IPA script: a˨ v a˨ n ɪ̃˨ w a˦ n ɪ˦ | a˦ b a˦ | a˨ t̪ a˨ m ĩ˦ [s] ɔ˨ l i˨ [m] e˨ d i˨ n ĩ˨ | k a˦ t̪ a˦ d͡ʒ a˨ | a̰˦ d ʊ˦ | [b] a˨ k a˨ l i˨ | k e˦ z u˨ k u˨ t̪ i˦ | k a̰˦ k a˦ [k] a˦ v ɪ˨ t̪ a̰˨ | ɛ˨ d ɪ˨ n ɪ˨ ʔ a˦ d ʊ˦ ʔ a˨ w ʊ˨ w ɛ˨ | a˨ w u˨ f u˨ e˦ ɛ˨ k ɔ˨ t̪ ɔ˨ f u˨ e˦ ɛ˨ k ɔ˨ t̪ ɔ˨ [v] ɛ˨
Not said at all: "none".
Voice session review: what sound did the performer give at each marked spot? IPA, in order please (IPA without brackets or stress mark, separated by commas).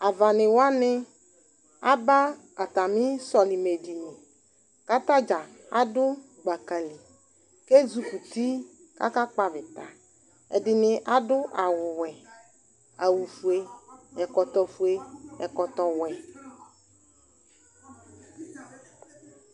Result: s, m, ɡ͡b, k͡p, w